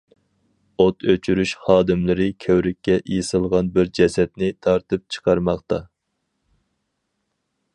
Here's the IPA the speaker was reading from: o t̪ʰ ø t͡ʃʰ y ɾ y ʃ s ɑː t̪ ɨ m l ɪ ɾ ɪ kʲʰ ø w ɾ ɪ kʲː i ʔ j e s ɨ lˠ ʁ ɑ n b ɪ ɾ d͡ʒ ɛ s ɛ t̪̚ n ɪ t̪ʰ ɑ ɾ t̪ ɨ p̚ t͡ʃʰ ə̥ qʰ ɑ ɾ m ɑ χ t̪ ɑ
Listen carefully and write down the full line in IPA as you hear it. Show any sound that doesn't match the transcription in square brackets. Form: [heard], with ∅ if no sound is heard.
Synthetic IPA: o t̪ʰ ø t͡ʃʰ y ɾ y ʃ [χ] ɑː [d̪] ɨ m l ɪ ɾ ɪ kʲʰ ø w ɾ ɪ kʲː [ɛ] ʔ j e s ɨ lˠ ʁ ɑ n b ɪ ɾ d͡ʒ ɛ s ɛ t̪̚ n ɪ t̪ʰ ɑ ɾ t̪ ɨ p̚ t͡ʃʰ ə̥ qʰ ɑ ɾ m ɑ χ t̪ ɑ

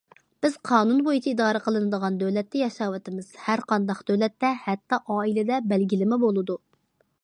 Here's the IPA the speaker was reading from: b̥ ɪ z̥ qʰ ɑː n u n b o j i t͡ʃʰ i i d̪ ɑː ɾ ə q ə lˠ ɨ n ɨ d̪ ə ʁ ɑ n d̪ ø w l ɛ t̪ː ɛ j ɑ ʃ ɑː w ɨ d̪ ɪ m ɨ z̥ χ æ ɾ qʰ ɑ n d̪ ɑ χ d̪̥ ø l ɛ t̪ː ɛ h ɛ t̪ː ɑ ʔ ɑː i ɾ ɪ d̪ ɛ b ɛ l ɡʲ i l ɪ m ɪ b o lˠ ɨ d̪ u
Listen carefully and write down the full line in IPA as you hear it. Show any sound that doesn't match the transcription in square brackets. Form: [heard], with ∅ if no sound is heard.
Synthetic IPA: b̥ ɪ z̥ qʰ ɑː n u n b o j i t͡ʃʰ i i d̪ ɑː ɾ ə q ə lˠ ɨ n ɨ d̪ ə ʁ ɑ n d̪ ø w l ɛ t̪ː ɛ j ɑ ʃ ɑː w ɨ [t̪] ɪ m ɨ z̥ [h] æ ɾ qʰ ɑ n d̪ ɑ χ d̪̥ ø l ɛ t̪ː ɛ h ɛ t̪ː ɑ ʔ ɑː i [l] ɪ d̪ ɛ b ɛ l ɡʲ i l ɪ m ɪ b o lˠ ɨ d̪ u

